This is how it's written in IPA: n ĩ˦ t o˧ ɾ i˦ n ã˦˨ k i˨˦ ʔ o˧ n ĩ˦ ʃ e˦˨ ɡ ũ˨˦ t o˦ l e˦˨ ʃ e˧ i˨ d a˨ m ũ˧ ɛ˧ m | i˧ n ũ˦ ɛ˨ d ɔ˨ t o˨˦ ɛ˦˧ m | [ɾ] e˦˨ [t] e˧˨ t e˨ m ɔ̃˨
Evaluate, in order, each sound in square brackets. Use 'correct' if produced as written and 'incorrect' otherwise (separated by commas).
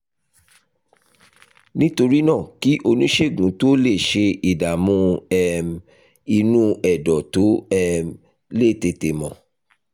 incorrect, correct